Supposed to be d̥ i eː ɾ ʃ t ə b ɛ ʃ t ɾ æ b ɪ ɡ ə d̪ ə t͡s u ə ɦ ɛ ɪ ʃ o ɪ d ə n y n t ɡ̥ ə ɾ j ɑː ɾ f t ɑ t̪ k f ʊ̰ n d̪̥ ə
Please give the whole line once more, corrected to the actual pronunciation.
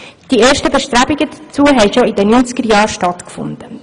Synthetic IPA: d̥ i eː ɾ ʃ t ə b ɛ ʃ t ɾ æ b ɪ ɡ ə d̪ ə t͡s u ə ɦ ɛ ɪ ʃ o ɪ d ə n y n t͡s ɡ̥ ə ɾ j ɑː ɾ ʃ t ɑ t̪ k f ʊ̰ n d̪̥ ə